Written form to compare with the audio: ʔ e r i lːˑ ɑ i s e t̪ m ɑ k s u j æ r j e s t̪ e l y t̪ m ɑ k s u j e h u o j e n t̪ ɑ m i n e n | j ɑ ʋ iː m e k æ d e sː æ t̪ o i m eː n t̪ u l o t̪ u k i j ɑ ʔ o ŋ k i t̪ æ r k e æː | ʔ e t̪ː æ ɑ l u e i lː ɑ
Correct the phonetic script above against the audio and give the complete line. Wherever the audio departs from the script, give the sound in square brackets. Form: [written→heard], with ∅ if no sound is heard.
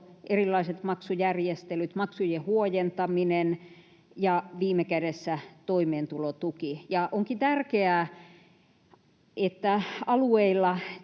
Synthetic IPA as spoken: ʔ e r i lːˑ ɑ i s e t̪ m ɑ k s u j æ r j e s t̪ e l y t̪ m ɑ k s u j e h u o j e n t̪ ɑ m i n e n | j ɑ ʋ iː m e k æ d e sː æ t̪ o i m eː n t̪ u l o t̪ u k i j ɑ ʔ o ŋ k i t̪ æ r k e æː | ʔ e t̪ː æ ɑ l u e i lː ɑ